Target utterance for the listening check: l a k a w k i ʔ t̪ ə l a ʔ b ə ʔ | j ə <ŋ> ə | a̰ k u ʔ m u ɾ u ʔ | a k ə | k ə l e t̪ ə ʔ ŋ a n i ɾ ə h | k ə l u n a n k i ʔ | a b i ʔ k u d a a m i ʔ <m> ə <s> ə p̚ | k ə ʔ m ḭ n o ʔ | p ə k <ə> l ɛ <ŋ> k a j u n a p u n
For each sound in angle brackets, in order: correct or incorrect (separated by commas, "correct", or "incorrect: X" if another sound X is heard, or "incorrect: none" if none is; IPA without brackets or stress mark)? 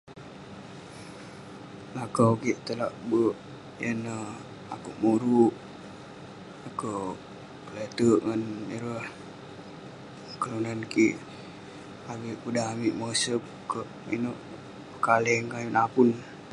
incorrect: n, correct, correct, incorrect: a, correct